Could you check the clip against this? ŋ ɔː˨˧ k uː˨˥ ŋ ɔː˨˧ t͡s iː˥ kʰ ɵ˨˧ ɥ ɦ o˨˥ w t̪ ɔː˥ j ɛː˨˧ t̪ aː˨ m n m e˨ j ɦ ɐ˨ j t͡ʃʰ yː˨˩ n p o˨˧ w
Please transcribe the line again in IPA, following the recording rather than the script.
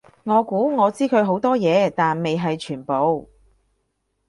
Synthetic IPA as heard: ŋ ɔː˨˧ k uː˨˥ ŋ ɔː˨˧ t͡s iː˥ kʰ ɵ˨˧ ɥ ɦ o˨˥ w t̪ ɔː˥ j ɛː˨˧ t̪ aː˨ n m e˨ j ɦ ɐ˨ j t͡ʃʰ yː˨˩ n p o˨˧ w